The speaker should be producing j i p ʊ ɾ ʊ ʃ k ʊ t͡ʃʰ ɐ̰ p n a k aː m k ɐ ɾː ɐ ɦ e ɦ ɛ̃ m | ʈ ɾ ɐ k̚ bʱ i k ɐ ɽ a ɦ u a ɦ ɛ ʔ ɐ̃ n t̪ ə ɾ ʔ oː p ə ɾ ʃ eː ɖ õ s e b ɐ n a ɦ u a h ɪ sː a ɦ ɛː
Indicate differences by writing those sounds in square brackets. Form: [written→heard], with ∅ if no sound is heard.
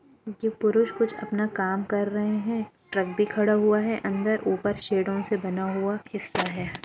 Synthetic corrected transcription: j [i→e] p ʊ ɾ ʊ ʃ k ʊ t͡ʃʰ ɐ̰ p n a k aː m k ɐ ɾː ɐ ɦ e ɦ ɛ̃ [m→∅] | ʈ ɾ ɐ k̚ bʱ i [k→kʰ] ɐ ɽ a ɦ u a ɦ ɛ ʔ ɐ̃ n [t̪→d̪] ə ɾ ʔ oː p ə ɾ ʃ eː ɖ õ s e b ɐ n a ɦ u a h ɪ sː a ɦ ɛː